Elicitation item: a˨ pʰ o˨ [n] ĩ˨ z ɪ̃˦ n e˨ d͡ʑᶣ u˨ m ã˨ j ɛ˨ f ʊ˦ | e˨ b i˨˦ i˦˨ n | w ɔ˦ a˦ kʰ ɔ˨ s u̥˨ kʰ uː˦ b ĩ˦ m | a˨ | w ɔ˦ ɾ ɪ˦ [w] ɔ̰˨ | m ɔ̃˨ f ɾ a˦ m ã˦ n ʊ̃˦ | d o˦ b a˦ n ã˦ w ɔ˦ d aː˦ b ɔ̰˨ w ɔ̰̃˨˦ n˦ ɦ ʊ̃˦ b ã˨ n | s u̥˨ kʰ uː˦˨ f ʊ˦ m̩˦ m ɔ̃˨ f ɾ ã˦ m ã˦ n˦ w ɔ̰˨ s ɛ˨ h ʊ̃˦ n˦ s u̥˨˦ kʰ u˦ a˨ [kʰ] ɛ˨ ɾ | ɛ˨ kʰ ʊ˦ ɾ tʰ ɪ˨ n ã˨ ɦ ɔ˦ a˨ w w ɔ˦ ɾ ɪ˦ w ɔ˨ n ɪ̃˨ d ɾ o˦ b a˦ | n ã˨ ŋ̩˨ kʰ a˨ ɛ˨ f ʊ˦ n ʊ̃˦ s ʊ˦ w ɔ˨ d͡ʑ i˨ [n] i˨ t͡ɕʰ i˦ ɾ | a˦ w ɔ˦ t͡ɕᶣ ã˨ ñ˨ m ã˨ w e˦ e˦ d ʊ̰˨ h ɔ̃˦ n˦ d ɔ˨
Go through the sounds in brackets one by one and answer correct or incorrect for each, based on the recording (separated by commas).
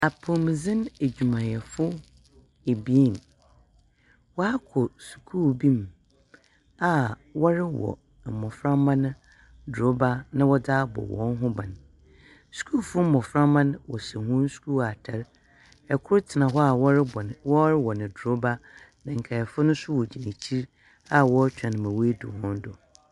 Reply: incorrect, correct, incorrect, correct